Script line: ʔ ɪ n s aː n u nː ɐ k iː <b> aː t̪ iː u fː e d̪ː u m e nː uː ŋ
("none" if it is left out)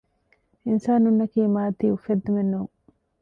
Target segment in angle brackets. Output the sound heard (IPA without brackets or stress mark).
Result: m